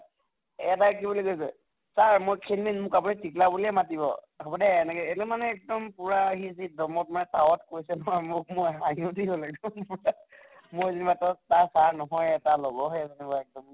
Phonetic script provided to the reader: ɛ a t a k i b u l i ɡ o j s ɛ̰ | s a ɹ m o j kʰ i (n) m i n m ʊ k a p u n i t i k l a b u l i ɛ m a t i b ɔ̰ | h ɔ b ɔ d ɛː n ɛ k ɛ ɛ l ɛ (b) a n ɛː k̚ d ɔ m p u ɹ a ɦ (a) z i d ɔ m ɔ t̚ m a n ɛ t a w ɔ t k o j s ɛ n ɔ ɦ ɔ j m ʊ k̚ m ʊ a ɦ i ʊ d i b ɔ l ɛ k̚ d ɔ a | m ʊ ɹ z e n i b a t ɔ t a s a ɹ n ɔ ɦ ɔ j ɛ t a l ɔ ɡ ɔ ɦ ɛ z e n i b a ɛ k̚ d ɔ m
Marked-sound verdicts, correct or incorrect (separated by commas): correct, incorrect, incorrect